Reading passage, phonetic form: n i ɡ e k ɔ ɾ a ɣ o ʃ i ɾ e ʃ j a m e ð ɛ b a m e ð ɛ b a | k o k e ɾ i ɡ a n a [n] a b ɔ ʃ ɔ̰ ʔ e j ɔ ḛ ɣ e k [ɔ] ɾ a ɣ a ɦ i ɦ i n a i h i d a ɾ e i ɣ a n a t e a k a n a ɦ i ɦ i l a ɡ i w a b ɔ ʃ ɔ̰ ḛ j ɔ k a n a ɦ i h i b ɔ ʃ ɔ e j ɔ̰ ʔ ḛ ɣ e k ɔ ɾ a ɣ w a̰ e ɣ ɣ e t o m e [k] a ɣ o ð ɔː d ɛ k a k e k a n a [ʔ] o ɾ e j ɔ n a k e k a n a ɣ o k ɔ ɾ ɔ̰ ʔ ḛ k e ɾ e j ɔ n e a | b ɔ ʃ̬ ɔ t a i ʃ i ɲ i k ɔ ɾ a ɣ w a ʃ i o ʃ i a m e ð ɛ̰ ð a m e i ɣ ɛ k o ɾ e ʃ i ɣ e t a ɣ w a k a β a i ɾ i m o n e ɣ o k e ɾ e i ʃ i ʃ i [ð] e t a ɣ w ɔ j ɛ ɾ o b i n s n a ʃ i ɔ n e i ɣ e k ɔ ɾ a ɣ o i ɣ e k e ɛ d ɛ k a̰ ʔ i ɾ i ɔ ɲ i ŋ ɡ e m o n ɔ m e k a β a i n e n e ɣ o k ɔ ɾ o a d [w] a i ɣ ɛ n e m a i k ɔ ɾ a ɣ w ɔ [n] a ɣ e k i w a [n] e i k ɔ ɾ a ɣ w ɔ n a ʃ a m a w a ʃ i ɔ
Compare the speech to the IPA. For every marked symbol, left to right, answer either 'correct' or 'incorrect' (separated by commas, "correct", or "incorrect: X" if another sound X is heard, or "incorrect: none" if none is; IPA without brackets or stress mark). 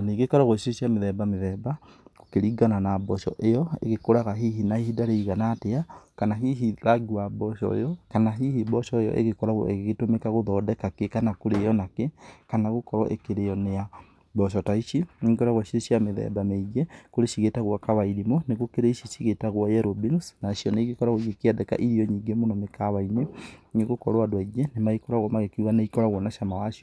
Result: correct, incorrect: o, correct, incorrect: k, incorrect: ɣ, correct, incorrect: m, correct